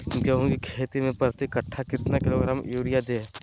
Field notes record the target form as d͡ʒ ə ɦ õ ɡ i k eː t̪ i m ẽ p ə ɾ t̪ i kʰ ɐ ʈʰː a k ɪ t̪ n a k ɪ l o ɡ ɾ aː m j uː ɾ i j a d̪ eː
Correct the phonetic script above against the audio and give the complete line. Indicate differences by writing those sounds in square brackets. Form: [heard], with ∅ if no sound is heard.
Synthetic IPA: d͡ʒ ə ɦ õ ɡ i [kʰ] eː t̪ i m ẽ p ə ɾ t̪ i [k] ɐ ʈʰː a k ɪ t̪ n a k ɪ l o ɡ ɾ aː m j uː ɾ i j a d̪ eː